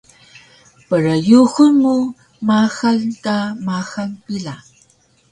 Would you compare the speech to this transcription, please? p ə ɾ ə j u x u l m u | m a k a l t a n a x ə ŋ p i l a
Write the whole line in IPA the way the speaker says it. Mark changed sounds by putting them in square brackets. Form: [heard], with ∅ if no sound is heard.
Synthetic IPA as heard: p ə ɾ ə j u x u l m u | m a [x] a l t a [m] a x [a] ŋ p i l a